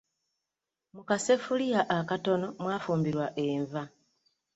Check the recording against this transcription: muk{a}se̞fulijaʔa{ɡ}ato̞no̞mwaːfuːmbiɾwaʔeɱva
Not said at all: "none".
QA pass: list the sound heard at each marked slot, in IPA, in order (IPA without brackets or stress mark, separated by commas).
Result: a, k